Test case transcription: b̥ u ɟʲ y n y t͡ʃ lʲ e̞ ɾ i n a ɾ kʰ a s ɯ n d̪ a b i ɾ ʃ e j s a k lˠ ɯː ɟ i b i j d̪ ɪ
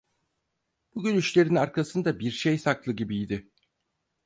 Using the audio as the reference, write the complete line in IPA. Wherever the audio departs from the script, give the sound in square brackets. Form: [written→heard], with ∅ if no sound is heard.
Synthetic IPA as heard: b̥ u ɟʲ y n y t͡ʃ lʲ e̞ ɾ i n a ɾ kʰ a s ɯ n d̪ a b i ɾ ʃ e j s a k lˠ [ɯː→ɯ] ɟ i b i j d̪ ɪ